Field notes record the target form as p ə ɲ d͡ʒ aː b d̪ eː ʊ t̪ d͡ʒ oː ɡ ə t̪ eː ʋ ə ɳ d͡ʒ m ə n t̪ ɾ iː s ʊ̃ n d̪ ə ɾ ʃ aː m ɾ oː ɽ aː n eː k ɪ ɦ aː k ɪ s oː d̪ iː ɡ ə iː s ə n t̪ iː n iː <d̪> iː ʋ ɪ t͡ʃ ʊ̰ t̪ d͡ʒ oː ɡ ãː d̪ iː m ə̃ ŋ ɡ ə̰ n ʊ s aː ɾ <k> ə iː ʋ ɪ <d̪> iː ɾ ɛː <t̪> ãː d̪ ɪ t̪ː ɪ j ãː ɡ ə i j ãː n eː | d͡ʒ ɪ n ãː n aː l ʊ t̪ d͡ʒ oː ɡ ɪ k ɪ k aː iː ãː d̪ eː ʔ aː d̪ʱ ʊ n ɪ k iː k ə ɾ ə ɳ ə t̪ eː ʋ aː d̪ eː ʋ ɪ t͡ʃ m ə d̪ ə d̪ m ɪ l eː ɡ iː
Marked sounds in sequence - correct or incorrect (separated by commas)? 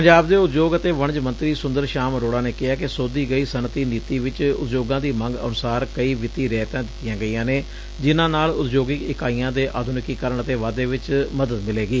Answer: incorrect, correct, incorrect, correct